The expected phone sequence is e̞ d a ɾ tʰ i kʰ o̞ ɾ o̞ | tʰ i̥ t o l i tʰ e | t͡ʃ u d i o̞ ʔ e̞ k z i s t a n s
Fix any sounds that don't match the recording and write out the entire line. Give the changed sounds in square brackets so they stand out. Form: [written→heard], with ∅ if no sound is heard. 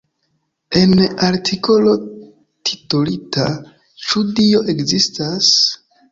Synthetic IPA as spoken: e̞ [d→n] a ɾ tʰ i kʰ o̞ [ɾ→l] o̞ | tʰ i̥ t o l i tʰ [e→a] | t͡ʃ u d i o̞ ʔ e̞ k z i s t a [n→∅] s